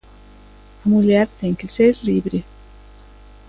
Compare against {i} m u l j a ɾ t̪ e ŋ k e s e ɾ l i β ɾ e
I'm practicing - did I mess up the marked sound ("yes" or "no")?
yes